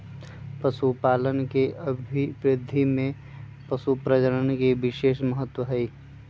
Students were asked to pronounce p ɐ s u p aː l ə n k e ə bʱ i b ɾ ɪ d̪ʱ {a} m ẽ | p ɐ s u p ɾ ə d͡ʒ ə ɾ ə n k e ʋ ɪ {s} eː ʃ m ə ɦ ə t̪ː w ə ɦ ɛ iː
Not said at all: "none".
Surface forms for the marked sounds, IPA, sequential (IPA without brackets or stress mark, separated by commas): i, ʃ